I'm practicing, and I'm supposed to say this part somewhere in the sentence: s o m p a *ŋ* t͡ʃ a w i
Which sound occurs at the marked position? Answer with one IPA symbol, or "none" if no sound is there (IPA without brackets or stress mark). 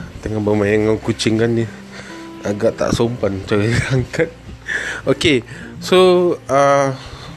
n